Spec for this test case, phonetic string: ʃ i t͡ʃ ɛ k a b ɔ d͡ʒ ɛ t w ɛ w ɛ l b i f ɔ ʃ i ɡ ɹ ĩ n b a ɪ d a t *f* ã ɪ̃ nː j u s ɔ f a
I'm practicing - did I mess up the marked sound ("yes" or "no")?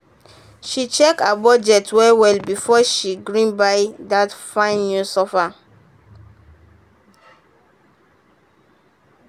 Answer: no